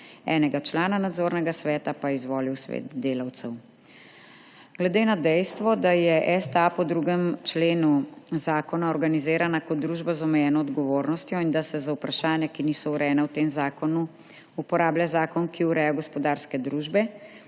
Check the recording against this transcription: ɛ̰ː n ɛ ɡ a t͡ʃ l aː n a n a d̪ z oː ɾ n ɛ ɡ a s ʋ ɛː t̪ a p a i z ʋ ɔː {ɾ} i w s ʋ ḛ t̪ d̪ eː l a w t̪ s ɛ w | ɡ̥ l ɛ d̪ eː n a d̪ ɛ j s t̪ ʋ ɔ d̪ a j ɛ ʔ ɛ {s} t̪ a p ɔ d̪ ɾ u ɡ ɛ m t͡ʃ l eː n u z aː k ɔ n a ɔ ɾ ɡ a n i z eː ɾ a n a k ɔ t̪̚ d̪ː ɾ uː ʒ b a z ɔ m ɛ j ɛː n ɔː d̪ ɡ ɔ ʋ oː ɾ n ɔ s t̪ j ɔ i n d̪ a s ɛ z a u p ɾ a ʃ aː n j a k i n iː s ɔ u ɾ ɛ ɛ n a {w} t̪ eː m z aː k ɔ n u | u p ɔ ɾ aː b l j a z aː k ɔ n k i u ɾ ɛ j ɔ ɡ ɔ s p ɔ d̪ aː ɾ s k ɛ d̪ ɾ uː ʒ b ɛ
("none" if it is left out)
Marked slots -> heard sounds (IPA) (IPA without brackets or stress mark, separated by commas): l, s, w